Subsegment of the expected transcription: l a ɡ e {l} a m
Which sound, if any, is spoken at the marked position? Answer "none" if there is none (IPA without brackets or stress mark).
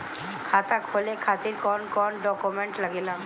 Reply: l